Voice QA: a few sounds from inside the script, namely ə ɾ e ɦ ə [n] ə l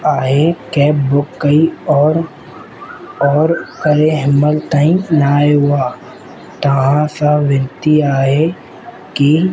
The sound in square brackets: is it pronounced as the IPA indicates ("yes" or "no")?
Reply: no